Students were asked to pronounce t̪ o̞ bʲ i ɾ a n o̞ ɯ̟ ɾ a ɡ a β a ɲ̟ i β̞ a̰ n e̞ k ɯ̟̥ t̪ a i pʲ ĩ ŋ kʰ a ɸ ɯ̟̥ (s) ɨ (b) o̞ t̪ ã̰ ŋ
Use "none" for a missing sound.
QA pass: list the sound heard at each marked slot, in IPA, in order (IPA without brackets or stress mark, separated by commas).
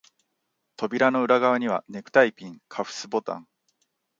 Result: s, b